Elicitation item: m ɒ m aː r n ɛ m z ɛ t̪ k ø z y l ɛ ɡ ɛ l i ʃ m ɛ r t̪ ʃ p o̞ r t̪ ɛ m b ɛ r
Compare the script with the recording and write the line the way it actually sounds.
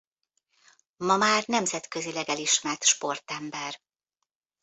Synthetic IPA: m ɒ m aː r n ɛ m z ɛ t̪ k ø z i l ɛ ɡ ɛ l i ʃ m ɛ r t̪ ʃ p o̞ r t̪ ɛ m b ɛ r